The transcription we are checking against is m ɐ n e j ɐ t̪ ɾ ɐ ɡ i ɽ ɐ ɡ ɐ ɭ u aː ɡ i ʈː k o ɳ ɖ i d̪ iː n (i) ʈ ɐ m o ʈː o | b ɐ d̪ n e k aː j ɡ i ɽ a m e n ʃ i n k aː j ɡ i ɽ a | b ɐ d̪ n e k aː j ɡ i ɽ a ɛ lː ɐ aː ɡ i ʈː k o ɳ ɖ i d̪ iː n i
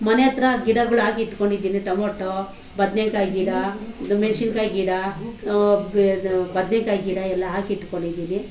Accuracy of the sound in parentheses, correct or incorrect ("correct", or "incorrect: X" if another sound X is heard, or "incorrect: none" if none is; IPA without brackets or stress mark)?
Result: correct